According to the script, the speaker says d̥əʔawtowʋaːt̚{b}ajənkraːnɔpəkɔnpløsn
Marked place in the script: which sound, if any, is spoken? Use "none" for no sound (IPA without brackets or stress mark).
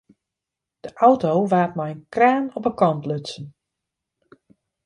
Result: m